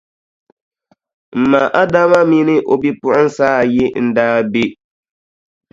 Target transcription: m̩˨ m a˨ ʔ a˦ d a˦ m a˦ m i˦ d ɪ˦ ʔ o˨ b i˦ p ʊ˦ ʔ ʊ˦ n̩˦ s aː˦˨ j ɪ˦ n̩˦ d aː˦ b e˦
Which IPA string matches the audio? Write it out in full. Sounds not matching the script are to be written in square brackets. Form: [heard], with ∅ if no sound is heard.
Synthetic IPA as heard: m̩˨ m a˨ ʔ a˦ d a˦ m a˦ m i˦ [n] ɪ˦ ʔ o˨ b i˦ p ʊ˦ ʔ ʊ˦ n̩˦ s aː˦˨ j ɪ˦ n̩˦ d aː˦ b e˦